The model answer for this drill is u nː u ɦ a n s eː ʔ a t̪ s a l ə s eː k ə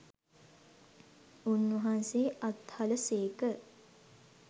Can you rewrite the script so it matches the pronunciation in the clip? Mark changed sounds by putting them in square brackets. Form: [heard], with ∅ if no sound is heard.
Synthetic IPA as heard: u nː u ɦ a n s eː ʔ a t̪ [h] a l ə s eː k ə